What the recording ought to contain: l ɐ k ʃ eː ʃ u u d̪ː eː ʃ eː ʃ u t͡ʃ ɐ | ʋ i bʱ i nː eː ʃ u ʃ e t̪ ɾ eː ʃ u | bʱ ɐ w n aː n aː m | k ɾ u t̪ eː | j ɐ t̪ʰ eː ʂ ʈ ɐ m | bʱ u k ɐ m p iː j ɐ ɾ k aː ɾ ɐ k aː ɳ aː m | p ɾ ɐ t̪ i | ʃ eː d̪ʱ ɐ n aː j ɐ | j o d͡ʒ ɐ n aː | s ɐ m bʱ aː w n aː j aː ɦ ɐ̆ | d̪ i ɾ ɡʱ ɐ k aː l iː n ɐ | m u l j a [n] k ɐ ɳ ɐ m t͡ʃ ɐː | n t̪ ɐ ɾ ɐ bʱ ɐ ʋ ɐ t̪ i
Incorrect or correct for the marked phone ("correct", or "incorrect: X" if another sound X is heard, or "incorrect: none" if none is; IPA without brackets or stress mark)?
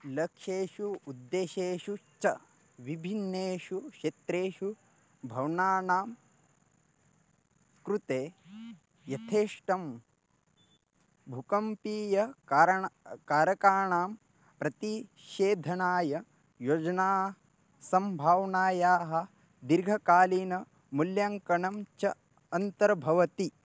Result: incorrect: ŋ